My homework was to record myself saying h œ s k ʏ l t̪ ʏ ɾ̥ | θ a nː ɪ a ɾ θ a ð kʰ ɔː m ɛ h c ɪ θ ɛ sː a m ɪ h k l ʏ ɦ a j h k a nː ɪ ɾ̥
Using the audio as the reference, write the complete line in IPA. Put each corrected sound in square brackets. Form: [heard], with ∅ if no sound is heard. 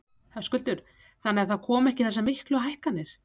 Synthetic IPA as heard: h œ s k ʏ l t̪ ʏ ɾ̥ | θ a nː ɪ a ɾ θ a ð kʰ ɔː m ɛ h c ɪ θ ɛ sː a m ɪ h k l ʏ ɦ a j h k a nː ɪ ɾ̥